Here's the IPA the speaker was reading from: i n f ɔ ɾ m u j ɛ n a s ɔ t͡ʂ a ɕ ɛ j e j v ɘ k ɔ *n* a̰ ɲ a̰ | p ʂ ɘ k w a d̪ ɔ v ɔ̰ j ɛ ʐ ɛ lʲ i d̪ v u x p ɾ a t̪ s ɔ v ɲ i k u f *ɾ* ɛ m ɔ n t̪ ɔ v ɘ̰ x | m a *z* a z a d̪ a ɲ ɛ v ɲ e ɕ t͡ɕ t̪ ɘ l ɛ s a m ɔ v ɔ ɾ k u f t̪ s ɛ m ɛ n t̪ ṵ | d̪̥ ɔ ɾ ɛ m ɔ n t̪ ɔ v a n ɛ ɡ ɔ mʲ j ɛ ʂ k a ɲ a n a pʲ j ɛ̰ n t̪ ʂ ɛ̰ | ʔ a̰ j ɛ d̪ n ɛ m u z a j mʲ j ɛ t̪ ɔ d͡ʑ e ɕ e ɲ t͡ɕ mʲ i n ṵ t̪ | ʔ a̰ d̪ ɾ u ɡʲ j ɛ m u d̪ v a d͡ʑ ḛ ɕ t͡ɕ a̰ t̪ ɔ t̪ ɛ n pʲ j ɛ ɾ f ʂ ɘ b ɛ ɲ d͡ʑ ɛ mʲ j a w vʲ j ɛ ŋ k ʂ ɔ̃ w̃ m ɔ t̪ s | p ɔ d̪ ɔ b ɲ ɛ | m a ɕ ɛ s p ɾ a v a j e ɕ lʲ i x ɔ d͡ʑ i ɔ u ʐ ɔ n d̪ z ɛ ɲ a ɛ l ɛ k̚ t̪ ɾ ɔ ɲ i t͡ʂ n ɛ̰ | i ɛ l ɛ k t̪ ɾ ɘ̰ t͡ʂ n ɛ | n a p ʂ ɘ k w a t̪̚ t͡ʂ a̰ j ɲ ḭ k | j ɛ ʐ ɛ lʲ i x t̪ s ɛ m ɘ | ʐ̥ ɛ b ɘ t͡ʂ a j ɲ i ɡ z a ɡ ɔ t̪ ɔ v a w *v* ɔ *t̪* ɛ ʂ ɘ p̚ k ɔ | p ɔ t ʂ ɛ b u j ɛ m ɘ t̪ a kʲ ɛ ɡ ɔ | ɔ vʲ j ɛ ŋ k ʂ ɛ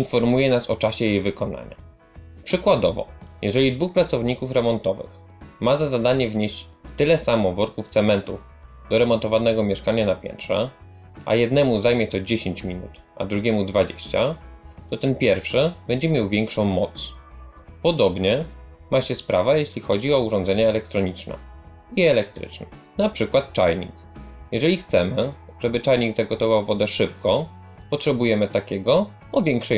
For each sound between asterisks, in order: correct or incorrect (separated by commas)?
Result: correct, correct, correct, correct, incorrect